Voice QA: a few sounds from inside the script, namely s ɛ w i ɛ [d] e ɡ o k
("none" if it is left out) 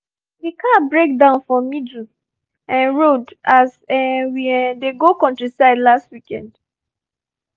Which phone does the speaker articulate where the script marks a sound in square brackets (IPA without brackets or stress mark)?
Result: d